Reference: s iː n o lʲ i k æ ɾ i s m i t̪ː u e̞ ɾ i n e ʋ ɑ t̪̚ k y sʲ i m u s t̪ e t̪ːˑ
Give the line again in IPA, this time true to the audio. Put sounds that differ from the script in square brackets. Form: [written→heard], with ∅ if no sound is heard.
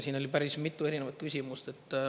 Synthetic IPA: s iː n o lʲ i [k→p] æ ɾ i s m i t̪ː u e̞ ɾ i n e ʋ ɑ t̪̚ k y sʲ i m u s t̪ e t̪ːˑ